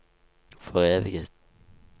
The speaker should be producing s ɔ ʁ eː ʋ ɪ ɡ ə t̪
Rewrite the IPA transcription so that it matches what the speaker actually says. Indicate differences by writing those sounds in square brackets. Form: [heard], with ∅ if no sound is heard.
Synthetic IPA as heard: [f] ɔ ʁ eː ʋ ɪ ɡ ə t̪